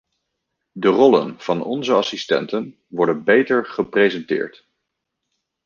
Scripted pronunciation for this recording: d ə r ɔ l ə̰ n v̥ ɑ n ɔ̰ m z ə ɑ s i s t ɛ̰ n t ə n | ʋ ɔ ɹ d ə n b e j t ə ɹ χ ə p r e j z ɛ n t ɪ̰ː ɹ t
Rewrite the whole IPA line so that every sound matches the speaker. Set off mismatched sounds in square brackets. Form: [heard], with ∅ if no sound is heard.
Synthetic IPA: d ə r ɔ l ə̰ n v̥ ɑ n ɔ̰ [n] z ə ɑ s i s t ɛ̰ n t ə n | ʋ ɔ ɹ d ə n b e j t ə ɹ χ ə p r e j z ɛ n t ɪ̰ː ɹ t